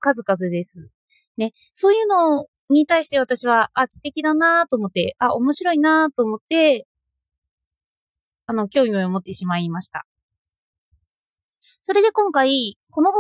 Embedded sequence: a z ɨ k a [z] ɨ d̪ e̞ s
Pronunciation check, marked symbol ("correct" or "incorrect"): correct